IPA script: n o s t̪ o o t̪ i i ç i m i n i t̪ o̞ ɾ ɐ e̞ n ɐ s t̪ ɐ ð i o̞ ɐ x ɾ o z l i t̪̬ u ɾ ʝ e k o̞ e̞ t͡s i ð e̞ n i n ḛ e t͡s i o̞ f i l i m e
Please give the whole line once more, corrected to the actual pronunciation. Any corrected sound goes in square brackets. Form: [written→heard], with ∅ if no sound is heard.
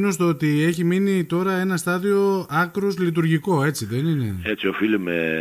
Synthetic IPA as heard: n o s t̪ o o t̪ i [i→e] ç i m i n i t̪ o̞ ɾ ɐ e̞ n ɐ s t̪ ɐ ð i o̞ ɐ [x→k] ɾ o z l i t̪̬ u ɾ ʝ [e→i] k o̞ e̞ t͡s i ð e̞ n i n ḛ e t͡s i o̞ f i l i m e